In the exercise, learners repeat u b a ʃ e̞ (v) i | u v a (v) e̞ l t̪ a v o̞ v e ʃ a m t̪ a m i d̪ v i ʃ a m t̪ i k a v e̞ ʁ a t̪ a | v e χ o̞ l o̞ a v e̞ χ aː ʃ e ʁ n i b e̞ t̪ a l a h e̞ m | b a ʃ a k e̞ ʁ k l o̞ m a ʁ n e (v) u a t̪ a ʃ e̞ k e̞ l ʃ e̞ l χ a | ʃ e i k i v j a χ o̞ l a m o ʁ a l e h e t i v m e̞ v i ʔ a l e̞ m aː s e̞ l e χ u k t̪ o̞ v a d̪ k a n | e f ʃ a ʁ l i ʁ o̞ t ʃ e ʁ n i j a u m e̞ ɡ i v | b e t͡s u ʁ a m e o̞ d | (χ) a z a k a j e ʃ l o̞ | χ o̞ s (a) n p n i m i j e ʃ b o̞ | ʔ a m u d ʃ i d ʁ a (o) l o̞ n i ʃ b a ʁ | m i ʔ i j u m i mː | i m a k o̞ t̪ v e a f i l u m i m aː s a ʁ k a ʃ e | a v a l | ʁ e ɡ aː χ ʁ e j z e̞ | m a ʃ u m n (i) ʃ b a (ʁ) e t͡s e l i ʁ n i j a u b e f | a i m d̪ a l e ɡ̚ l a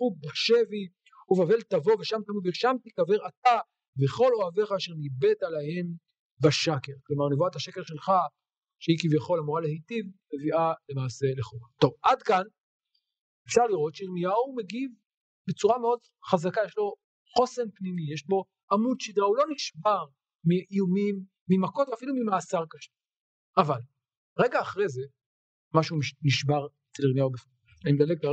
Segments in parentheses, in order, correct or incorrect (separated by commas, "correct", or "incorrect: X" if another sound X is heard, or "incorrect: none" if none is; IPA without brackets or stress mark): correct, correct, correct, correct, incorrect: e, incorrect: u, correct, correct